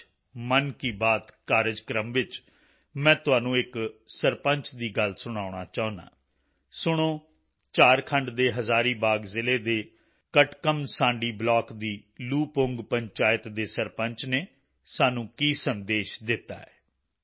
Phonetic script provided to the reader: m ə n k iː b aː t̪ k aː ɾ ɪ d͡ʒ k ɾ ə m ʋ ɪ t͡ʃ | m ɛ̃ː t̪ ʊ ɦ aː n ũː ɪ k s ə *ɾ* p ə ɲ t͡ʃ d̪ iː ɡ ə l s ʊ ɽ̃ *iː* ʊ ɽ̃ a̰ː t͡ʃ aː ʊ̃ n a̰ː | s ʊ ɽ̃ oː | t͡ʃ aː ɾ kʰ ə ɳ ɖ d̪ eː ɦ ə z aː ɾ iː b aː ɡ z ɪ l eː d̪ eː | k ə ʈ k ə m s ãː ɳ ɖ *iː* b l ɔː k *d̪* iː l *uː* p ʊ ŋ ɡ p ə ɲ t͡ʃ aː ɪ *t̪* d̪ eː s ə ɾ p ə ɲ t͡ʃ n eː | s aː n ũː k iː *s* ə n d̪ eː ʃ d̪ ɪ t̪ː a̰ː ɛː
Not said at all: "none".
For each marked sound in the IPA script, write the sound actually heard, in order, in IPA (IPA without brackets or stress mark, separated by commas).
ɾ, aː, iː, d̪, uː, t̪, s